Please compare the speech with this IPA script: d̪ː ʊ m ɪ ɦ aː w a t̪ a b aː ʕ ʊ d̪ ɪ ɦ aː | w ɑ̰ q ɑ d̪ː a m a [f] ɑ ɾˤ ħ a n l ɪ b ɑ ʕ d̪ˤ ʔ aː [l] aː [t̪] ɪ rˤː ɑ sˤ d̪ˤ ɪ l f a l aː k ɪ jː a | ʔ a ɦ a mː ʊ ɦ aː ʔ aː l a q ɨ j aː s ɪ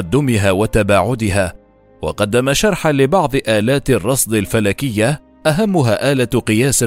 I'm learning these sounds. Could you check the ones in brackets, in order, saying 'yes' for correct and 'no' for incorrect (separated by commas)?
no, yes, yes